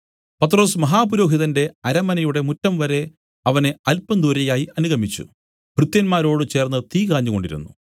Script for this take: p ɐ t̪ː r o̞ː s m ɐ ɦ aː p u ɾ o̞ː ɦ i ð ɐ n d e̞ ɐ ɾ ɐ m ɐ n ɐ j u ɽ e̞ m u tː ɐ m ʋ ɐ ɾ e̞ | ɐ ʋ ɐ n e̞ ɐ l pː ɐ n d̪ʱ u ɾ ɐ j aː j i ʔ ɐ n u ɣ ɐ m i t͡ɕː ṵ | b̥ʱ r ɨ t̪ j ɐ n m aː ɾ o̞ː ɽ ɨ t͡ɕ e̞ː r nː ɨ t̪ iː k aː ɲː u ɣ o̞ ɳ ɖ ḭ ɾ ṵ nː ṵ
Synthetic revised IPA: p ɐ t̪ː r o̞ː s m ɐ ɦ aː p u ɾ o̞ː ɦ i ð ɐ n d e̞ ɐ ɾ ɐ m ɐ n ɐ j u ɽ e̞ m u tː ɐ m ʋ ɐ ɾ e̞ | ɐ ʋ ɐ n e̞ ɐ l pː ɐ n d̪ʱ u ɾ ɐ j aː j i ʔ ɐ n u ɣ ɐ m i t͡ɕː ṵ | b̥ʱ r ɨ t̪ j ɐ n m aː ɾ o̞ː ɽ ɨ t͡ɕ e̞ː r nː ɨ t̪ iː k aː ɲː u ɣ o̞ ɳ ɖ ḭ ɾ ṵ nː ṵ